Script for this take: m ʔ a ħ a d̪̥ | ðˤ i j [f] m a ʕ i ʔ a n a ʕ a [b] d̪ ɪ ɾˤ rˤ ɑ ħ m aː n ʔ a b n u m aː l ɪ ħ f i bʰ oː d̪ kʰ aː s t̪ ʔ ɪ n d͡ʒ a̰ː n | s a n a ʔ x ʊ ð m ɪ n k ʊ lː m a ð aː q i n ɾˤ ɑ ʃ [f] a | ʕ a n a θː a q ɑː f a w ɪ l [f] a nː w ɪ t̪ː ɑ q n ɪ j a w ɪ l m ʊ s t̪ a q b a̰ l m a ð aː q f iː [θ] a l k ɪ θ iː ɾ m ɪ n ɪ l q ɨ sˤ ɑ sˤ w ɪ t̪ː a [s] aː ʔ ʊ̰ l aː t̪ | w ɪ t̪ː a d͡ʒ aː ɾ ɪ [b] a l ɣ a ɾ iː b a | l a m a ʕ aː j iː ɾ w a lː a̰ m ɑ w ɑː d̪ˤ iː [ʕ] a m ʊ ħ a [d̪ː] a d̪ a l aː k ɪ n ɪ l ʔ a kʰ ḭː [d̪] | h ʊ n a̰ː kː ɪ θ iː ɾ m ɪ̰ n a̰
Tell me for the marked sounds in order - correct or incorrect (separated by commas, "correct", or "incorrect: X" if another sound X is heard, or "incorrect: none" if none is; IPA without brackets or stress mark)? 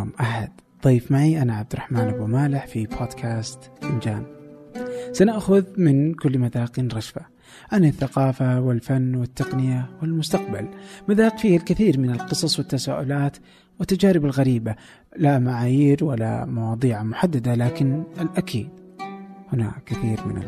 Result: correct, correct, correct, correct, incorrect: h, correct, correct, correct, correct, correct